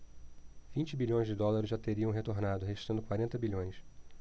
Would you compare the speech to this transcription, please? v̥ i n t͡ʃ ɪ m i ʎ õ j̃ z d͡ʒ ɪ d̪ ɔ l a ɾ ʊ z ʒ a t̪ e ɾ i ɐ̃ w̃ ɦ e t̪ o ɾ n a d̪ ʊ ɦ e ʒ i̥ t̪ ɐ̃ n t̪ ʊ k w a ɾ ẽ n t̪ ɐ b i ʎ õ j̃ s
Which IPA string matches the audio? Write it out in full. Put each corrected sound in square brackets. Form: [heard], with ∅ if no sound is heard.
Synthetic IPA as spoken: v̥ [ĩ] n t͡ʃ ɪ [b] i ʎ õ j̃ z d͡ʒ ɪ d̪ ɔ l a ɾ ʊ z ʒ a t̪ e ɾ i ɐ̃ w̃ ɦ e t̪ o ɾ n a d̪ ʊ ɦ e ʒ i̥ t̪ ɐ̃ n [d̪] ʊ k w a ɾ ẽ n t̪ ɐ b i ʎ õ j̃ s